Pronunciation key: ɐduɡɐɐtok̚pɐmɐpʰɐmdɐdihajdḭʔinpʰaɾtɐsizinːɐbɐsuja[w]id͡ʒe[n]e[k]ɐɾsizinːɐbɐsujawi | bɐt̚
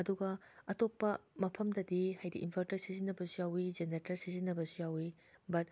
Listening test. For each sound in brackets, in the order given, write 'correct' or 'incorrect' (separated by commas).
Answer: correct, correct, incorrect